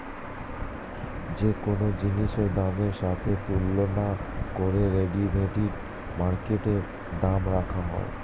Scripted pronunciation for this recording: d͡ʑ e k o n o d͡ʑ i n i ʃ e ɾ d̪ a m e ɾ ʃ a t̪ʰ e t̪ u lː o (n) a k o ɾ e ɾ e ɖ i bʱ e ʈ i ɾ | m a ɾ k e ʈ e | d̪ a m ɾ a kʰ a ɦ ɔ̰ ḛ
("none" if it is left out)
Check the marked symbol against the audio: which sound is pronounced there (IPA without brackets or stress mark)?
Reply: n